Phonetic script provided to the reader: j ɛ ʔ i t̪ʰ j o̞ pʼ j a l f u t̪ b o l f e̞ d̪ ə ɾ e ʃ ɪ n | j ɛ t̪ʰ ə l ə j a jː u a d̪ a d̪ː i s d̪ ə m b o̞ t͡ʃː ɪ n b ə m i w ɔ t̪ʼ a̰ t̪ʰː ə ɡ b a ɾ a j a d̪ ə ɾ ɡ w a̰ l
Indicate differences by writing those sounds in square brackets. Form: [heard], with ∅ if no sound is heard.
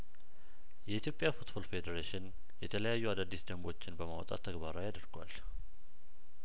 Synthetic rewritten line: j ɛ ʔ i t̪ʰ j o̞ pʼ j a [∅] f u t̪ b o l f e̞ d̪ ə ɾ e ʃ ɪ n | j ɛ t̪ʰ ə l ə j a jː u a d̪ a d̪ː i s d̪ ə m b o̞ t͡ʃː ɪ n b ə m [a] w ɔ t̪ʼ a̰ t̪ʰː ə ɡ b a ɾ a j a d̪ ə ɾ ɡ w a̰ l